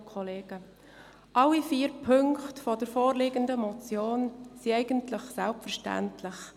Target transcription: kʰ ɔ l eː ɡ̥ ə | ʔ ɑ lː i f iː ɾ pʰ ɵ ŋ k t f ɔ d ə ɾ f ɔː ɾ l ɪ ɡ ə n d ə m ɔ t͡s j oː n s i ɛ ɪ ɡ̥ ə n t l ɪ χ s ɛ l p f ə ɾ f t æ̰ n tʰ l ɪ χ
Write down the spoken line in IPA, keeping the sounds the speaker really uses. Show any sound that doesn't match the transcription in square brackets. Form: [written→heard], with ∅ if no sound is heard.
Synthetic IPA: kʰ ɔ l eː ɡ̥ ə | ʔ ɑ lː i f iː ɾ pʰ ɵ ŋ k t f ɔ d ə ɾ f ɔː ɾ l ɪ ɡ ə n d ə m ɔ t͡s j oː n s i ɛ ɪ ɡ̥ ə n t l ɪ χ s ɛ l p f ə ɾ [f→ʃ] t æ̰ n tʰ l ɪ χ